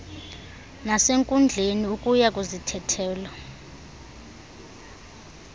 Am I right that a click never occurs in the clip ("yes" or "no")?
yes